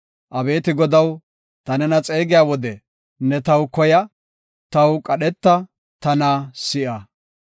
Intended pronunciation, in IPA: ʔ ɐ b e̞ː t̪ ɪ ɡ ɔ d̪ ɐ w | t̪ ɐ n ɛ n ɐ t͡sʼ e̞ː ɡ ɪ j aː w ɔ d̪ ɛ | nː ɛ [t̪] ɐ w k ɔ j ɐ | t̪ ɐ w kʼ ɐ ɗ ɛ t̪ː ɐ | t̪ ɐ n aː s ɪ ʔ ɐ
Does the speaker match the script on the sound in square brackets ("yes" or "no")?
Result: yes